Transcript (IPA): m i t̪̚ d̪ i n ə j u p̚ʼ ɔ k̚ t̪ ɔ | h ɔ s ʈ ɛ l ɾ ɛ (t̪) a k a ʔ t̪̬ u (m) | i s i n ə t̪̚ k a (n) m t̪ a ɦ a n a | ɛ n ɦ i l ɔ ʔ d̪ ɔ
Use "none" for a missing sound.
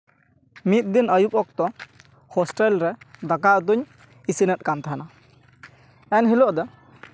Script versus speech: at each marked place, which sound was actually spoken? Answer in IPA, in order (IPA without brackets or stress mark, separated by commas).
d̪, ɲ, none